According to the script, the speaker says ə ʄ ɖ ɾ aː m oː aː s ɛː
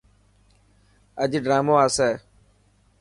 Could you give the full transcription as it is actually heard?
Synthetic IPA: ə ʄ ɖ ɾ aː m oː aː s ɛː